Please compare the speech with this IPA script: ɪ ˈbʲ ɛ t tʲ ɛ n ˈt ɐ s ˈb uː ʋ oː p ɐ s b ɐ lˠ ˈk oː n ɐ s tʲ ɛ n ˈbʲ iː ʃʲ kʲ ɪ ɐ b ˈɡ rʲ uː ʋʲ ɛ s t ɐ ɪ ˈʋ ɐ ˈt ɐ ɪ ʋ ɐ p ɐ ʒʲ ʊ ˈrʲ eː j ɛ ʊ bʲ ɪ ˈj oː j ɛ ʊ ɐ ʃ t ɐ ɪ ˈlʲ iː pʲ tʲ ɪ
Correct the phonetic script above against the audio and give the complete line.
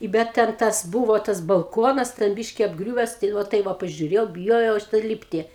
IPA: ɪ ˈbʲ ɛ t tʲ ɛ n ˈt ɐ s ˈb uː ʋ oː t ɐ s b ɐ lˠ ˈk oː n ɐ s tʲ ɛ n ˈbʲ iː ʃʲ kʲ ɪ ɐ b ˈɡ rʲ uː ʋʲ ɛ s t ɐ ɪ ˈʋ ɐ ˈt ɐ ɪ ʋ ɐ p ɐ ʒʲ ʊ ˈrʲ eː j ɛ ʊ bʲ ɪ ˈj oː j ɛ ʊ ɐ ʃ t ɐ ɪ ˈlʲ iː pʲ tʲ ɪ